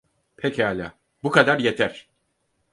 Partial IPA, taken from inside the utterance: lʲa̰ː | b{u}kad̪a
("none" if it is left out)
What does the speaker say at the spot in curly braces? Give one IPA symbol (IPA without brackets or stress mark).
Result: u